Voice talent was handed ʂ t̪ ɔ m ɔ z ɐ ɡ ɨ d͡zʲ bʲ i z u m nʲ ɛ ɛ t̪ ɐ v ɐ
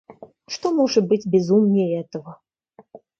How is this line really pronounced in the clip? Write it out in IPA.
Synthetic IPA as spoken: ʂ t̪ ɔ m ɔ ʐ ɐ b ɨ d͡zʲ bʲ ɛ z u m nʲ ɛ ɛ t̪ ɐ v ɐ